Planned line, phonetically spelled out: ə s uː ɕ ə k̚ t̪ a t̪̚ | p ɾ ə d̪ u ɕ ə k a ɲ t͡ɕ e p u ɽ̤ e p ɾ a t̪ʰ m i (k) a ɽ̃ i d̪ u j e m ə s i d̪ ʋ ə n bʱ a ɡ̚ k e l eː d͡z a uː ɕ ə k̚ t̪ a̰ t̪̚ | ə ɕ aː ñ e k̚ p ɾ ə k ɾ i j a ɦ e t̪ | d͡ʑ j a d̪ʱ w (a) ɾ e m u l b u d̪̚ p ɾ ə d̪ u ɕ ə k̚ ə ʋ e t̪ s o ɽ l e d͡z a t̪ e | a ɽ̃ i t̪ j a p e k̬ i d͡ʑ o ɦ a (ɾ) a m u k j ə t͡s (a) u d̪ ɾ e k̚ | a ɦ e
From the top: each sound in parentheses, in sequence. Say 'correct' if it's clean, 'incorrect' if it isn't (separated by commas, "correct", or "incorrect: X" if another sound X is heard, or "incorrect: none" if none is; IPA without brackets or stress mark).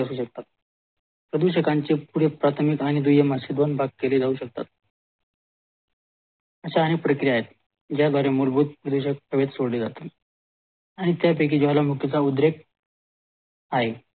correct, correct, incorrect: l, correct